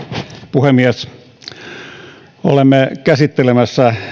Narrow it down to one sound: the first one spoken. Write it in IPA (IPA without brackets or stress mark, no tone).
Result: p